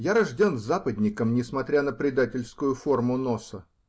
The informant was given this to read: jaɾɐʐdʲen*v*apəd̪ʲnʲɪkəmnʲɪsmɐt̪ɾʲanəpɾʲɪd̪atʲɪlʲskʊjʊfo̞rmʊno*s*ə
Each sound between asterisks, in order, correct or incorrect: incorrect: z, correct

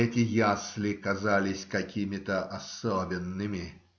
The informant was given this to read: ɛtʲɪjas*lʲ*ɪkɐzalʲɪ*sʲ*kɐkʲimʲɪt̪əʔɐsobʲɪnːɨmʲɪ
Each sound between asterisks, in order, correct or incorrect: correct, correct

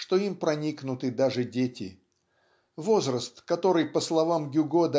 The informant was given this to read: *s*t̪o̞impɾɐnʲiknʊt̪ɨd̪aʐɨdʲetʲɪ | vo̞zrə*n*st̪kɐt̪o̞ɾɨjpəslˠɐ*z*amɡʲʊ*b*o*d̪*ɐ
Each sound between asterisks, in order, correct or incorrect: incorrect: ʂ, incorrect: none, incorrect: v, incorrect: ɡ, correct

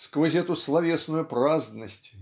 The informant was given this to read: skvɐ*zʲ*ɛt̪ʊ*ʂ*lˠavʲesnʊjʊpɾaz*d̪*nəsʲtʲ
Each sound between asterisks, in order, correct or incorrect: correct, incorrect: s, correct

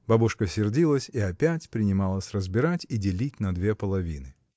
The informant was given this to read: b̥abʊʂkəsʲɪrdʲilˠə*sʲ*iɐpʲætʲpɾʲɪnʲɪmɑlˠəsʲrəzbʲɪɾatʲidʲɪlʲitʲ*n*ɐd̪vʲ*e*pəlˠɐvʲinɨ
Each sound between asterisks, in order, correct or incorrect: correct, correct, correct

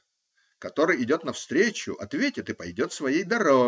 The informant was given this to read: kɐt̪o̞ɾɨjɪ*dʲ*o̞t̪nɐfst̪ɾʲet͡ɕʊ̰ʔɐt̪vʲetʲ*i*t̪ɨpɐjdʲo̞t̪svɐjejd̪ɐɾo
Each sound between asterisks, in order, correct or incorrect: correct, incorrect: ɪ

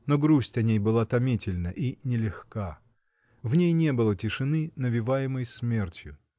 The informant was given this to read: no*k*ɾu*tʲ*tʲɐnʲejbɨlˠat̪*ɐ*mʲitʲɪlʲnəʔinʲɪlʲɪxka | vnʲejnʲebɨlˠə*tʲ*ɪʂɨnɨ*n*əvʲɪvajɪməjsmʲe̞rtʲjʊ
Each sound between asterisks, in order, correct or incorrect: incorrect: ɡ, incorrect: sʲ, correct, correct, correct

